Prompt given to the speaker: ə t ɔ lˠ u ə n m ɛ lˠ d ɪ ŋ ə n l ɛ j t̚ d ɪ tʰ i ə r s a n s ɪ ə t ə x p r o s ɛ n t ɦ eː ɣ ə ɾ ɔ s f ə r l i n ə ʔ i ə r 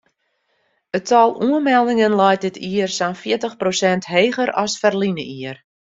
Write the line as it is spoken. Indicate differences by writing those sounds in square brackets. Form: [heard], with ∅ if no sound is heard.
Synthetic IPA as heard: ə t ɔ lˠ u ə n m ɛ lˠ d ɪ ŋ ə n l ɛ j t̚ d ɪ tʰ i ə r s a n [f] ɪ ə t ə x p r o s ɛ n t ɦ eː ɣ ə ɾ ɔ s f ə r l i n ə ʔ i ə r